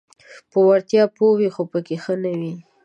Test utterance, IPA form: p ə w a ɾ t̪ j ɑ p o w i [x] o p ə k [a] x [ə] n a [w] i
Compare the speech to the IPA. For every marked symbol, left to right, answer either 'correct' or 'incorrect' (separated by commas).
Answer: correct, incorrect, correct, correct